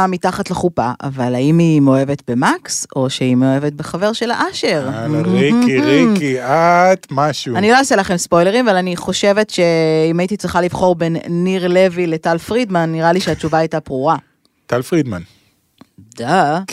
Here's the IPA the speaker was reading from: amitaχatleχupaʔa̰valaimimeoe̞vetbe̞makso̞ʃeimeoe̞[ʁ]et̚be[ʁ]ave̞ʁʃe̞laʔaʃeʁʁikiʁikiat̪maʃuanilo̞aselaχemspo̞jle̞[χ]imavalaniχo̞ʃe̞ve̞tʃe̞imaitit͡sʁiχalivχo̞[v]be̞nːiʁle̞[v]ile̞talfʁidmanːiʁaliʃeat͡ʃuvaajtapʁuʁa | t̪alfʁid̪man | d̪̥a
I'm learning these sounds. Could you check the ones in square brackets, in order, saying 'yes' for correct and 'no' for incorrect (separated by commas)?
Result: no, no, no, no, yes